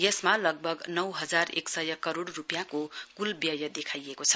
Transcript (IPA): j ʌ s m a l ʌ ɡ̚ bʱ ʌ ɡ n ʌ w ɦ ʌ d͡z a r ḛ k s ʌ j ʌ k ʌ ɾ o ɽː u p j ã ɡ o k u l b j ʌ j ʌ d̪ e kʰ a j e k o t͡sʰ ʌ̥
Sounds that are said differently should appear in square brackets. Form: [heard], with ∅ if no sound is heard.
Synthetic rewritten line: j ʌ s m a l ʌ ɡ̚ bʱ ʌ ɡ n ʌ w ɦ ʌ d͡z a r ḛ k s ʌ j ʌ k ʌ ɾ o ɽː u p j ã [k] o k u l b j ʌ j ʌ d̪ e kʰ a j e k o t͡sʰ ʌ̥

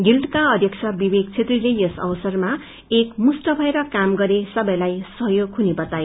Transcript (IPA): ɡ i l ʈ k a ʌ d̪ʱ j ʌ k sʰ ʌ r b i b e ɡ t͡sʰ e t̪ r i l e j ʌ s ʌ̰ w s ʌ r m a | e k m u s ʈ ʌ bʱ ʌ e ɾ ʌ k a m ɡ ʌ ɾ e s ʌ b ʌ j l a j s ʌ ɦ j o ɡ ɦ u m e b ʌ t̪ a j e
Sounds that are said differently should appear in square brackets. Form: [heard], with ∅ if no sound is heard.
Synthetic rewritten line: ɡ i l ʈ k a ʌ d̪ʱ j ʌ k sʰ ʌ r b i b e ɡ t͡sʰ e t̪ r i l e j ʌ s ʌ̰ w s ʌ r m a | e k m u s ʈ ʌ bʱ ʌ e ɾ ʌ k a m ɡ ʌ ɾ e s ʌ b ʌ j l a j s ʌ ɦ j o ɡ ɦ u [n] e b ʌ t̪ a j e

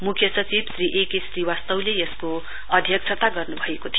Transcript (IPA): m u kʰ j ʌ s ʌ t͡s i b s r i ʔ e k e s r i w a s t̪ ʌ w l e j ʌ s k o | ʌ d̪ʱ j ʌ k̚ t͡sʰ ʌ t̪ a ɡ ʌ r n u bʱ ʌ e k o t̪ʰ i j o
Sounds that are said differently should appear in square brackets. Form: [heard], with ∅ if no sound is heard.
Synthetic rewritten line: m u kʰ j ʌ s ʌ t͡s i b s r i ʔ e k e s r i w a s t̪ ʌ w l e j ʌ s k o | ʌ d̪ʱ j ʌ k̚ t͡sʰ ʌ t̪ a ɡ ʌ r n u bʱ ʌ e k o t̪ʰ i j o

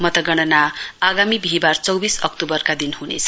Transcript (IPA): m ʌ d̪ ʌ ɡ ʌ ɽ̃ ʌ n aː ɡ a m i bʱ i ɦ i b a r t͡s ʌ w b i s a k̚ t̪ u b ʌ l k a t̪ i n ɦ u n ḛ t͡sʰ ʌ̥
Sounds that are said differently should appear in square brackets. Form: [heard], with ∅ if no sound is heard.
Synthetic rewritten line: m ʌ [t̪] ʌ ɡ ʌ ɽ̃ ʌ n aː ɡ a m i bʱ i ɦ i b a r t͡s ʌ w b i s [ʌ] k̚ t̪ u b ʌ [r] k a [d̪] i n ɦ u n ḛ t͡sʰ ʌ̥

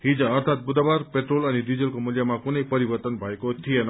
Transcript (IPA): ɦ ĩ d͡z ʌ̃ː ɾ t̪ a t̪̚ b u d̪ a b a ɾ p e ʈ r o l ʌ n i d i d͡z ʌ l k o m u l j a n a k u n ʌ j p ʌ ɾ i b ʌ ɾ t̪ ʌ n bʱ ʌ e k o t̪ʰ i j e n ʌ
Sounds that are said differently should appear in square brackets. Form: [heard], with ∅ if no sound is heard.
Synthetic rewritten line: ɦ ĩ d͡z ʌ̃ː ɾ [t̪ʰ] a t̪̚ b u d̪ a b a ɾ p e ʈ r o l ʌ n i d i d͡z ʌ l k o m u l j a [m] a k u n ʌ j p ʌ ɾ i b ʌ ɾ t̪ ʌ n bʱ ʌ e k o t̪ʰ i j e n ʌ

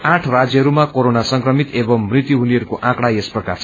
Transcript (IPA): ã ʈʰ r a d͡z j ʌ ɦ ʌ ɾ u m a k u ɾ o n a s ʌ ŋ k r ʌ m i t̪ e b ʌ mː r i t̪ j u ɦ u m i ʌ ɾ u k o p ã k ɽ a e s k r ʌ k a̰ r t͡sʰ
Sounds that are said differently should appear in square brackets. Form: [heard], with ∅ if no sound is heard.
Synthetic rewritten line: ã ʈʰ r a d͡z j ʌ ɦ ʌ ɾ u m a k [o] ɾ o n a s ʌ ŋ k r ʌ m i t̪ e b ʌ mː r i t̪ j u ɦ u [n] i ʌ ɾ u k o [ʔ] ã k ɽ a e s [p] r ʌ k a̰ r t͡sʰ

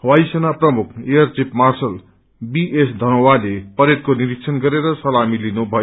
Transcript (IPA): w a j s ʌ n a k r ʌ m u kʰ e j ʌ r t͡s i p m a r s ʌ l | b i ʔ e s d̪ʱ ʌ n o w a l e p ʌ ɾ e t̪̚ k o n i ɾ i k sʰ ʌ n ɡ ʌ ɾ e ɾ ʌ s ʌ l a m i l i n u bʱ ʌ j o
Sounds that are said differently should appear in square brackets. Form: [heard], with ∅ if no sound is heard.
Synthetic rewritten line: w a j s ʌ n a [p] r ʌ m u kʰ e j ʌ r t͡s i p m a r s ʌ l | b i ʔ e s d̪ʱ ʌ n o w a l e p ʌ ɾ e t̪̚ k o n i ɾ i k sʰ ʌ n ɡ ʌ ɾ e ɾ ʌ s ʌ l a m i l i n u bʱ ʌ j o

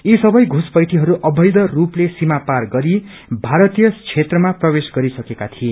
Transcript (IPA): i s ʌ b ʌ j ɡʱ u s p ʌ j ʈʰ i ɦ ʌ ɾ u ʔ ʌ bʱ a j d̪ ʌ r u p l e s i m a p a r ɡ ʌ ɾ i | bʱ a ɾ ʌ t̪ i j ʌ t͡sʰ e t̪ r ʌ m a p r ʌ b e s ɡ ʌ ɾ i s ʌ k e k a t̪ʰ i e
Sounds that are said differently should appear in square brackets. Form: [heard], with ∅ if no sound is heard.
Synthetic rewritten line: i s ʌ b ʌ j ɡʱ u s p ʌ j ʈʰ i ɦ ʌ ɾ u ʔ ʌ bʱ [ʌ] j d̪ ʌ r u p l e s i m a p a r ɡ ʌ ɾ i | bʱ a ɾ ʌ t̪ i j ʌ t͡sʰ e t̪ r ʌ m a p r ʌ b e s ɡ ʌ ɾ i s ʌ k e k a t̪ʰ i e

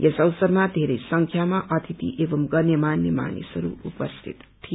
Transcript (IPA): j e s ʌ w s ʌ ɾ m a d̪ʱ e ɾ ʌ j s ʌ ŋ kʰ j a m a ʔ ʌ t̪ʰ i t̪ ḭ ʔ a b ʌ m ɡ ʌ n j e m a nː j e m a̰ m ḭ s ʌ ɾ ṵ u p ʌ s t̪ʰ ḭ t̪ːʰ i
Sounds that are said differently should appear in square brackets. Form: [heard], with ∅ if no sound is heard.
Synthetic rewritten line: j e s ʌ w s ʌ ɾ m a d̪ʱ e ɾ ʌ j s ʌ ŋ kʰ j a m a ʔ ʌ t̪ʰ i t̪ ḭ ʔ [e] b ʌ m ɡ ʌ n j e m a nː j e m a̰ [n] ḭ s ʌ ɾ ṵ u p ʌ s t̪ʰ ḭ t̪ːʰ i

